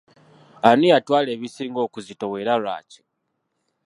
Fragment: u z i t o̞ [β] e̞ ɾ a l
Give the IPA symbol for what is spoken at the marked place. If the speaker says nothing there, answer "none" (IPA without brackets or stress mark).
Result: w